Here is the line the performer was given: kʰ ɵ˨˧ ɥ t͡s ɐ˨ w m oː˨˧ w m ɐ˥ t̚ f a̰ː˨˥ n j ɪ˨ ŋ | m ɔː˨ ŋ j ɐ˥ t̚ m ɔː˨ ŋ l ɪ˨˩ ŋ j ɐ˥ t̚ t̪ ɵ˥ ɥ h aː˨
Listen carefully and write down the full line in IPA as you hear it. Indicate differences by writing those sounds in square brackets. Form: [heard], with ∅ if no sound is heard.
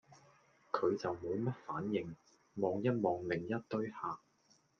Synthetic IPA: kʰ ɵ˨˧ ɥ t͡s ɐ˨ w m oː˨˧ w m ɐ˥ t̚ f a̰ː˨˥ n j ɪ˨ ŋ | m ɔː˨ ŋ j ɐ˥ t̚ m ɔː˨ ŋ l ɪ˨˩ ŋ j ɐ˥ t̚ t̪ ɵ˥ ɥ h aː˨